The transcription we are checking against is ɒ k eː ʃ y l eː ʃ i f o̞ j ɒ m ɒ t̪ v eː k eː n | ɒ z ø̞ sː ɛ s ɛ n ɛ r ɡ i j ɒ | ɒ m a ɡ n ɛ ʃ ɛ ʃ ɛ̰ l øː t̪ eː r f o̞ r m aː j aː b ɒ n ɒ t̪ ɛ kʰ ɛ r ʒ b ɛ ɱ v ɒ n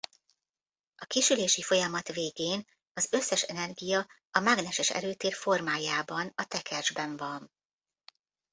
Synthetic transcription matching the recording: ɒ k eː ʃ y l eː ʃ i f o̞ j ɒ m ɒ t̪ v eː ɡ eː n | ɒ z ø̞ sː ɛ ʃ ɛ n ɛ r ɡ i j ɒ | ɒ m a ɡ n ɛ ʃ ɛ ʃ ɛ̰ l øː t̪ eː r f o̞ r m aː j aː b ɒ n ɒ t̪ ɛ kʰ ɛ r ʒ b ɛ ɱ v ɒ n